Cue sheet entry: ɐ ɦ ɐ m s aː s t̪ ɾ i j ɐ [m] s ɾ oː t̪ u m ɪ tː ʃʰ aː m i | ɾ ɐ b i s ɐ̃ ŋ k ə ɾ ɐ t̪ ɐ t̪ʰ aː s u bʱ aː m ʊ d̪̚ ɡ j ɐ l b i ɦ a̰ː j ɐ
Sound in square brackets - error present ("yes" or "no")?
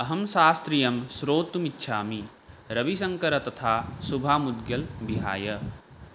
no